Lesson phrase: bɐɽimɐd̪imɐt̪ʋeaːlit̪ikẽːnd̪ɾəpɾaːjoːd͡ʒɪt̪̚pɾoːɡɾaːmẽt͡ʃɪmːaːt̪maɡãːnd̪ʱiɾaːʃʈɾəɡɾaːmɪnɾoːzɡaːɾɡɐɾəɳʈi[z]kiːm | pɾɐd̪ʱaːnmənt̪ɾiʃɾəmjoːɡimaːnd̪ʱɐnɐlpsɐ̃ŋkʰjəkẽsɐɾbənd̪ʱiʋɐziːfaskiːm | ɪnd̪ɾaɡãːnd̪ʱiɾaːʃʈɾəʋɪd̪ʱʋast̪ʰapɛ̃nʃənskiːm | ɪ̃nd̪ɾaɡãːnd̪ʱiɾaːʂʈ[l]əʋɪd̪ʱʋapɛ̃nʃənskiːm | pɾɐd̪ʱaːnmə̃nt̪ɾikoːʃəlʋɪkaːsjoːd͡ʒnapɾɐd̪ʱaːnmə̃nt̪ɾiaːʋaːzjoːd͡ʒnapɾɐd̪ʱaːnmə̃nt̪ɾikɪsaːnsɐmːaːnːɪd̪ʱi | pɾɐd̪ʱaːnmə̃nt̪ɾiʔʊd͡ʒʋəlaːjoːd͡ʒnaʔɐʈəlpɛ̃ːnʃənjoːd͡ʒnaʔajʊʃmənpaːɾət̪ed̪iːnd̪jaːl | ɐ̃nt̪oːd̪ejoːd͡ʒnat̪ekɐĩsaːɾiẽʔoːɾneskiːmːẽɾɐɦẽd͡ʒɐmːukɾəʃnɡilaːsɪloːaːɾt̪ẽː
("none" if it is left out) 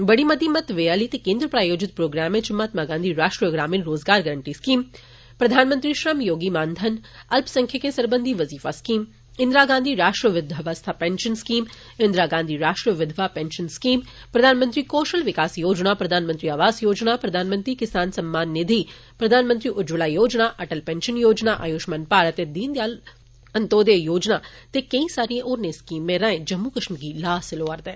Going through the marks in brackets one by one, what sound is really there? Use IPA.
s, ɾ

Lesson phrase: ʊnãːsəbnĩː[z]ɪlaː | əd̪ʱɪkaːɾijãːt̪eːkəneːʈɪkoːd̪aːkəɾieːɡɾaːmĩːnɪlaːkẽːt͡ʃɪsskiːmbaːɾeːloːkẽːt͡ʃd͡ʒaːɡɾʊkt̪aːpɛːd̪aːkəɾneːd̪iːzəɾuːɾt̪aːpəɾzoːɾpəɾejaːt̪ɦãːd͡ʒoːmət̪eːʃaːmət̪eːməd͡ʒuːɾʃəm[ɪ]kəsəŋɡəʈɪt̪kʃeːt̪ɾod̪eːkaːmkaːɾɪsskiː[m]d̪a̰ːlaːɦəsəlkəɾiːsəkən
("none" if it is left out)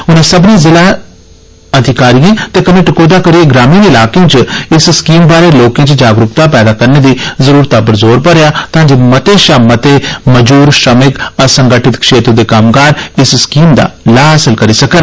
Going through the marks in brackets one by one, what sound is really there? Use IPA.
z, ɪ, m

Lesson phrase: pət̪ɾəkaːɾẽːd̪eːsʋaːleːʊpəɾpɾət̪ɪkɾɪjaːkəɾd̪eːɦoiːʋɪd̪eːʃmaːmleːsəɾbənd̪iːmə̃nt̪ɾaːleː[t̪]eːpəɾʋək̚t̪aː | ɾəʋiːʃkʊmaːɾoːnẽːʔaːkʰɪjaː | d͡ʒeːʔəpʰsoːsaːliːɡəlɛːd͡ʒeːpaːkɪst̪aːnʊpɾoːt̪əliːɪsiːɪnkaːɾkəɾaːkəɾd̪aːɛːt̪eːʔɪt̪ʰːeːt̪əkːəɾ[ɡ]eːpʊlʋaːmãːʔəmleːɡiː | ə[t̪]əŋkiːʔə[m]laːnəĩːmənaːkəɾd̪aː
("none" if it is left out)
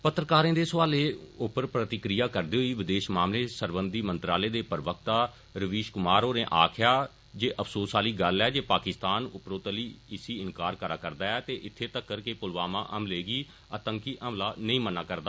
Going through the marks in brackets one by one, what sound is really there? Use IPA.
d̪, k, t̪, m

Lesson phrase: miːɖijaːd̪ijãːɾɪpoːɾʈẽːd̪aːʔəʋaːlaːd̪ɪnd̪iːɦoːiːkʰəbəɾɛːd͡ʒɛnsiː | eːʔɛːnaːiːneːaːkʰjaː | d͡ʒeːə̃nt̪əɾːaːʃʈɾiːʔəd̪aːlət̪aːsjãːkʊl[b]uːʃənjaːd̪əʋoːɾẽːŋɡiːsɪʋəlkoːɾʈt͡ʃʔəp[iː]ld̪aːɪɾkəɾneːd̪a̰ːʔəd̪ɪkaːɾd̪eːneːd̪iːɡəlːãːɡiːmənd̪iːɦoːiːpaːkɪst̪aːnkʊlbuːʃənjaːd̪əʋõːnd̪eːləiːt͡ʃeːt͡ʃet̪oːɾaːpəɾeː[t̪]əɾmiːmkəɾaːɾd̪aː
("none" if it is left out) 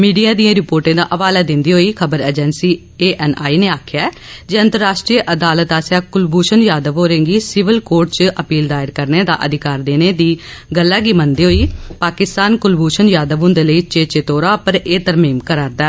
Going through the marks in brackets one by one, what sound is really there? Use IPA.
b, iː, t̪

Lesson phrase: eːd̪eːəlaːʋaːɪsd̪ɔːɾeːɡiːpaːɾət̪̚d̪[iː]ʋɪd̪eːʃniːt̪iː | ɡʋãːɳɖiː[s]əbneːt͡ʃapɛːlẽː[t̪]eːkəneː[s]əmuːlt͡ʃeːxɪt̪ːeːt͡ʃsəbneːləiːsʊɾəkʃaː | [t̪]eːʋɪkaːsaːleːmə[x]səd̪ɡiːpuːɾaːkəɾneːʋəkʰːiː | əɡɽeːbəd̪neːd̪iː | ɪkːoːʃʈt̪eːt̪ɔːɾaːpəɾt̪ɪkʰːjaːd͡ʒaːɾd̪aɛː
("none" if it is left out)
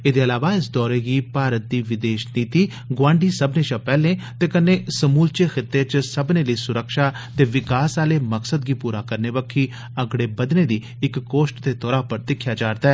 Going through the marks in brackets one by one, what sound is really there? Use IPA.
iː, s, t̪, s, t̪, k

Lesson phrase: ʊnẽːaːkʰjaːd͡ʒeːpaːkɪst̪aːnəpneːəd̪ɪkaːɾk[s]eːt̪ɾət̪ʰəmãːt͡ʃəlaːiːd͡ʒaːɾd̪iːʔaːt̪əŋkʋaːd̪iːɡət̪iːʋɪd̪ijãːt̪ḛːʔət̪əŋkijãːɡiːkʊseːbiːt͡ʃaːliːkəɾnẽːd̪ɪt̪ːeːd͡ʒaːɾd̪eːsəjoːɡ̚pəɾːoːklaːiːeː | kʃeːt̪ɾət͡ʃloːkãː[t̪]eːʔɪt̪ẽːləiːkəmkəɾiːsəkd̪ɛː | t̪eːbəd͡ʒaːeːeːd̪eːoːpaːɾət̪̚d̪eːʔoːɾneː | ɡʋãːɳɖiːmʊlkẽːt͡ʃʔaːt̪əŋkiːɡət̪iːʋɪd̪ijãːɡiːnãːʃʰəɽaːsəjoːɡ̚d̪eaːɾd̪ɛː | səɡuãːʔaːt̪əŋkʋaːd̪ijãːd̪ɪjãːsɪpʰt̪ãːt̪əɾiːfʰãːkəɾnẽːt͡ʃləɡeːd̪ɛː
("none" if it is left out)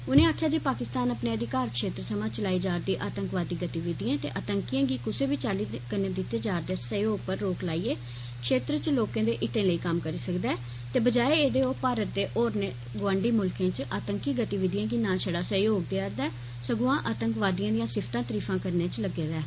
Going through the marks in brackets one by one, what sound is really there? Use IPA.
ʃ, d̪

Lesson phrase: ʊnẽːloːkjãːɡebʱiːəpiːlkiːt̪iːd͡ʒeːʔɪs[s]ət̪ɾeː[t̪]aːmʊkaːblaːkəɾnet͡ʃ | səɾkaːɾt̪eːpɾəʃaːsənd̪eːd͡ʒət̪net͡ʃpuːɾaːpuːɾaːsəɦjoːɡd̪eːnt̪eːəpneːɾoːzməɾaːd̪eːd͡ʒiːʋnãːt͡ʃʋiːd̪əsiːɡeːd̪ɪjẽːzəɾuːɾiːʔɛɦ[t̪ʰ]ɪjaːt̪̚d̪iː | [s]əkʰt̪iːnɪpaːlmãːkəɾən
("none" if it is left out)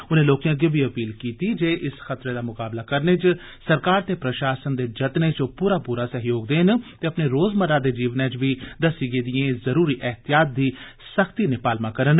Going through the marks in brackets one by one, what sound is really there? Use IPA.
x, d̪, t̪, s

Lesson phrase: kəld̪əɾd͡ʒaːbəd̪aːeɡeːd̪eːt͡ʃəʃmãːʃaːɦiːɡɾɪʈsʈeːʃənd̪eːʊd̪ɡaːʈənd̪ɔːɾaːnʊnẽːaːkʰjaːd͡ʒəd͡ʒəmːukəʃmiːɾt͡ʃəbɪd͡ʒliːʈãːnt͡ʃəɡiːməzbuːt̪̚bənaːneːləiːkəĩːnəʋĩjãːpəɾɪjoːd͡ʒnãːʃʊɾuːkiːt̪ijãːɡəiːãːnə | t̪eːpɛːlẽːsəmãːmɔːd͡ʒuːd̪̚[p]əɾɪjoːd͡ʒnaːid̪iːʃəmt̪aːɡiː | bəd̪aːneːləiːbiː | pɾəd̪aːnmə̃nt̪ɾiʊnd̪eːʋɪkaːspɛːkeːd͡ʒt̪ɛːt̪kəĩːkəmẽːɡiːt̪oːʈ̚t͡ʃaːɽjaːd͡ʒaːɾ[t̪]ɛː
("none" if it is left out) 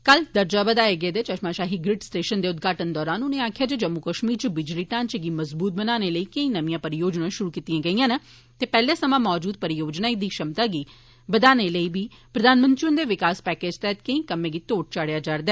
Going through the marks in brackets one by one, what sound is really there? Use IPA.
p, d̪

